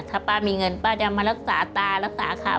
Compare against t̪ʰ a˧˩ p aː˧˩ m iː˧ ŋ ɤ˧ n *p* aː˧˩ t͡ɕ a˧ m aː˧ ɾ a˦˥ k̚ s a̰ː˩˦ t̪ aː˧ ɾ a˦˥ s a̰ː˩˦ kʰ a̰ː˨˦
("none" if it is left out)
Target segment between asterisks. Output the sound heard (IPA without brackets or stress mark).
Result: p